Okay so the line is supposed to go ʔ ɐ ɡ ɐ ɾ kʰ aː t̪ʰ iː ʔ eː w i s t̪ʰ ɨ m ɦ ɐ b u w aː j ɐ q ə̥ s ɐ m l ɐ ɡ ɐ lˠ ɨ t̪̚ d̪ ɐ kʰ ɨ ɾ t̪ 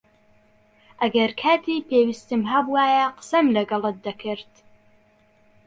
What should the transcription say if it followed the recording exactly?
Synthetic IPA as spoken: ʔ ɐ ɡ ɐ ɾ kʰ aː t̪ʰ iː p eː w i s t̪ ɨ m ɦ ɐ b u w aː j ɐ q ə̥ s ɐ m l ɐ ɡ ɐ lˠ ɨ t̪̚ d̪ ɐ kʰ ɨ ɾ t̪